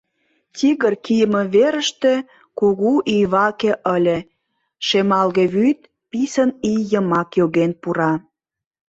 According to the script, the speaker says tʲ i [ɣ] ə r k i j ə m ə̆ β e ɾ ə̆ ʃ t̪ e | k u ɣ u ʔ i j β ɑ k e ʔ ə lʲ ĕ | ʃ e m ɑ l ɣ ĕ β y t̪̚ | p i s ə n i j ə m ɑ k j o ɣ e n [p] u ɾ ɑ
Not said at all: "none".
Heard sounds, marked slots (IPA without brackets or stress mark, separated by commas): ɣ, p